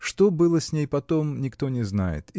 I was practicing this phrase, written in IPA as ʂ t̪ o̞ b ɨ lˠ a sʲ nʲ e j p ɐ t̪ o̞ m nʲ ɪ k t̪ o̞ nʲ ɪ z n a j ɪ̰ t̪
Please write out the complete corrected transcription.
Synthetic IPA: ʂ t̪ o̞ b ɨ lˠ ə sʲ nʲ e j p ɐ t̪ o̞ m nʲ ɪ k t̪ o̞ nʲ ɪ z n a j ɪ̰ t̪